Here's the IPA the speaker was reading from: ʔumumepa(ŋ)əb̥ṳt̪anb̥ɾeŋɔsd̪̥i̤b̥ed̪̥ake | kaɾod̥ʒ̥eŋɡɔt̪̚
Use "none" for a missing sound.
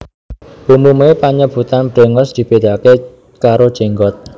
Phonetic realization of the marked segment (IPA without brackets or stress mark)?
ɲ